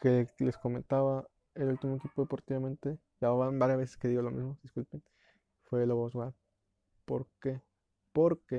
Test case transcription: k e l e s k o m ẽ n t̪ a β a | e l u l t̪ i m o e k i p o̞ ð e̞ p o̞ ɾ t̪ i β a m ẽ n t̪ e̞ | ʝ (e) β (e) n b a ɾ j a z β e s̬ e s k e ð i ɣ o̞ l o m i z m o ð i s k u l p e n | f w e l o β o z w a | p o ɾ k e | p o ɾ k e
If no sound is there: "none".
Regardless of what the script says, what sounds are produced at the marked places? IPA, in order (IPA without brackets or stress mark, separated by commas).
a, a